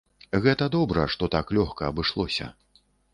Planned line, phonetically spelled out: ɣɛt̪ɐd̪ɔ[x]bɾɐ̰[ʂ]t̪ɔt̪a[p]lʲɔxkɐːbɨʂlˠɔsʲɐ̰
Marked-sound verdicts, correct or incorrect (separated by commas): incorrect, correct, incorrect